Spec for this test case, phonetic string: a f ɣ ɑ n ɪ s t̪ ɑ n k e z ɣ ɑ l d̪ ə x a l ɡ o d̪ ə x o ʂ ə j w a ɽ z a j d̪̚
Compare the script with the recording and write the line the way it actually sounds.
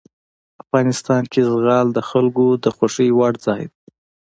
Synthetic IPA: a f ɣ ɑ n ɪ s t̪ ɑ n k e z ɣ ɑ l d̪ ə x a l ɡ o d̪ ə x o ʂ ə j w a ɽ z ɑ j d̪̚